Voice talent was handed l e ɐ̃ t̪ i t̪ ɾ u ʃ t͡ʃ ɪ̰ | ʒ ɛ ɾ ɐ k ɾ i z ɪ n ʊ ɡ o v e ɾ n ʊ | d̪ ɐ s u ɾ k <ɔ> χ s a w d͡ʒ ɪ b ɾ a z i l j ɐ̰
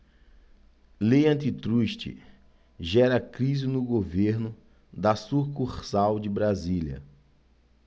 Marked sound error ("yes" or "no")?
yes